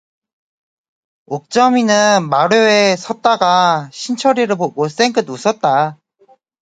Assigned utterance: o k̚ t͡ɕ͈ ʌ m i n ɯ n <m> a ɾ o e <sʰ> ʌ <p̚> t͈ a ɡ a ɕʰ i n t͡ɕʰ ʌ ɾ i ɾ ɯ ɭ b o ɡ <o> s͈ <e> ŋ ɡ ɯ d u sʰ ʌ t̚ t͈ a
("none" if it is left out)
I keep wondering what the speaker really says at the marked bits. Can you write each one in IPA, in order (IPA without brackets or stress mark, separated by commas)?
m, sʰ, t̚, o, e